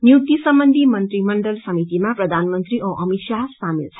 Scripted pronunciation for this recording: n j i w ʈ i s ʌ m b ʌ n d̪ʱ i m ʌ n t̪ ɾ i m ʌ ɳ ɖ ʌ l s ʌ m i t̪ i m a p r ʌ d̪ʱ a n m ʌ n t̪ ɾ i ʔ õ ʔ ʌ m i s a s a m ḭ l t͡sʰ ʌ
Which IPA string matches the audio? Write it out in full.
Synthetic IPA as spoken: n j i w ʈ i s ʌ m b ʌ n d̪ʱ i m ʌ n t̪ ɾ i m ʌ ɳ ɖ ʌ l s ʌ m i t̪ i m a p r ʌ d̪ʱ a n m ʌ n t̪ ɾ i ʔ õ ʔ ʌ m i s a s a m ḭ l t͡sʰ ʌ